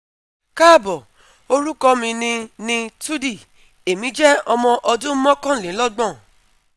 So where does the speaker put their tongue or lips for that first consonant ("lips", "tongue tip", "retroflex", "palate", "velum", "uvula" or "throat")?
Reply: velum